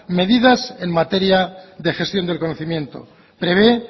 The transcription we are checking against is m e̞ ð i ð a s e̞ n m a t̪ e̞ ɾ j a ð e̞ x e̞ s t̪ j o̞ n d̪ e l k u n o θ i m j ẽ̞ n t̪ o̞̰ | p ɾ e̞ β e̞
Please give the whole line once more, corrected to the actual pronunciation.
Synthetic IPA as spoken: m e̞ ð i ð a s e̞ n m a t̪ e̞ ɾ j a ð e̞ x e̞ s t̪ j o̞ n d̪ e l k o n o θ i m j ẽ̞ n t̪ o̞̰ | p ɾ e̞ β e̞